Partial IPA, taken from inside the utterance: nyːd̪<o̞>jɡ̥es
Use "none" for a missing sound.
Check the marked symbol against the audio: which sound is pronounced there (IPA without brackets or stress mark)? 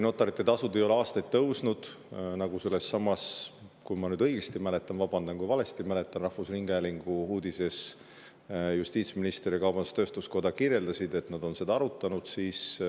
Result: ɤ̞